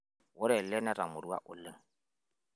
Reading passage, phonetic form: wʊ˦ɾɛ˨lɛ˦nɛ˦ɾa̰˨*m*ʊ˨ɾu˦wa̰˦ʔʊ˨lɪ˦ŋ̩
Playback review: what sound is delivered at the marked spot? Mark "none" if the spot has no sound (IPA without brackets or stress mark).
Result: m